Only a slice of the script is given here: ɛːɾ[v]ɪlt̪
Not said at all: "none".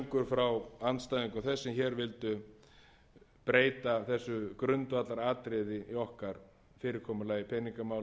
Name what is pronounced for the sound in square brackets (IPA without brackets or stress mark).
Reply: v